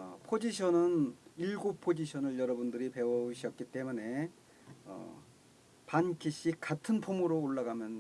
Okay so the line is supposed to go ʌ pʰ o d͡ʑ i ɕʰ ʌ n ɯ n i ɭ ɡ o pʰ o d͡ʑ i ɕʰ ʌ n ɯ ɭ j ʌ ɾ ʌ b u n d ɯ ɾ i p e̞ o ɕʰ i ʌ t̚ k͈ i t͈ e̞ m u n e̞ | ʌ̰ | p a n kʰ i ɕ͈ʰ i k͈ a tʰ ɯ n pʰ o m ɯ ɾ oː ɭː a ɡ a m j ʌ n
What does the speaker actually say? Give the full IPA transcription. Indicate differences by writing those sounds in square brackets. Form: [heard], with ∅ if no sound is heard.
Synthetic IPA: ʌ pʰ o d͡ʑ i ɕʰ ʌ n ɯ n i ɭ ɡ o pʰ o d͡ʑ i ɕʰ ʌ n ɯ ɭ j ʌ ɾ ʌ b u n d ɯ ɾ i p e̞ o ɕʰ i ʌ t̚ k͈ i t͈ e̞ m u n e̞ | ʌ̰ | p a n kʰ i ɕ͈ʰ i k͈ a tʰ ɯ n pʰ o m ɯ ɾ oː ɭː a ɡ a m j ʌ n

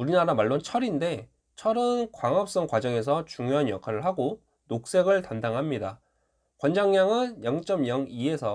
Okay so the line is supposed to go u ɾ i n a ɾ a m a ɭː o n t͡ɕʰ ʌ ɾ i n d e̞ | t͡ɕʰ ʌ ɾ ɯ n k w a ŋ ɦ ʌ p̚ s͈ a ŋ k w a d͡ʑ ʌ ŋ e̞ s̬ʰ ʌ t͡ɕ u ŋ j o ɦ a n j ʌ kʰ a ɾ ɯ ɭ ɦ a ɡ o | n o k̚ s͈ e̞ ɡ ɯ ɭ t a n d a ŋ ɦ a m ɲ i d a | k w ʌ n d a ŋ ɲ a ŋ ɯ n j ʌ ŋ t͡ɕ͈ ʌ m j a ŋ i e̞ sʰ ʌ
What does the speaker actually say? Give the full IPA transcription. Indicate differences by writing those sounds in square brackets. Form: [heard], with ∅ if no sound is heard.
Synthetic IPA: u ɾ i n a ɾ a m a ɭː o n t͡ɕʰ ʌ ɾ i n d e̞ | t͡ɕʰ ʌ ɾ ɯ n k w a ŋ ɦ ʌ p̚ s͈ [ʌ] ŋ k w a d͡ʑ ʌ ŋ e̞ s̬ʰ ʌ t͡ɕ u ŋ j o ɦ a n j ʌ kʰ a ɾ ɯ ɭ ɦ a ɡ o | n o k̚ s͈ e̞ ɡ ɯ ɭ t a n d a ŋ ɦ a m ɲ i d a | k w ʌ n [d͡ʑ] a ŋ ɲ a ŋ ɯ n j ʌ ŋ t͡ɕ͈ ʌ m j [ʌ] ŋ i e̞ sʰ ʌ

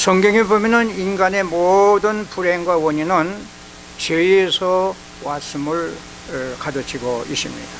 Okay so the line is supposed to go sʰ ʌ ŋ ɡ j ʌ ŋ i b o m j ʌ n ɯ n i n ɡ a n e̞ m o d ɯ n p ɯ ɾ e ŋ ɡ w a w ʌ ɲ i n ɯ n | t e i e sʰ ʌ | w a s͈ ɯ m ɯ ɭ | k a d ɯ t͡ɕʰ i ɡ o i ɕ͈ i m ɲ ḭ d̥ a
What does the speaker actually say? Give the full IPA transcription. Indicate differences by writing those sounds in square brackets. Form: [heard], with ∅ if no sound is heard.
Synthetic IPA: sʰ ʌ ŋ ɡ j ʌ ŋ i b o m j ʌ n ɯ n i n ɡ a n e̞ m o d ɯ n p [u] ɾ e ŋ ɡ w a w ʌ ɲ i n ɯ n | [t͡ɕ] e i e sʰ ʌ | w a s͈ ɯ m ɯ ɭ | k a d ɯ t͡ɕʰ i ɡ o i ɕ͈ i m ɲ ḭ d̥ a

